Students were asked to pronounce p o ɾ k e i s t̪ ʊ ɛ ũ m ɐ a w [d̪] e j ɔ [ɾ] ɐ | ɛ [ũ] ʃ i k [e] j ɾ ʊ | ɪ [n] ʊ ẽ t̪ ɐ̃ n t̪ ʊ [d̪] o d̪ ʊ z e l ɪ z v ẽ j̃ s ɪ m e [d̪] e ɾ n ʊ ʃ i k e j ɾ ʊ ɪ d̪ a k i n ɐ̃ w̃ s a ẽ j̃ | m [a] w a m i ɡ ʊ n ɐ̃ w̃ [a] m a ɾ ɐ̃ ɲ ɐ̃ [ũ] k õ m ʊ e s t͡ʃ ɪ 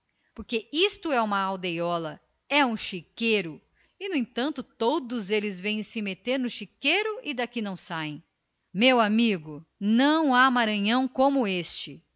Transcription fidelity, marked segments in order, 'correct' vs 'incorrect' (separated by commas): correct, incorrect, correct, correct, correct, incorrect, incorrect, incorrect, correct, incorrect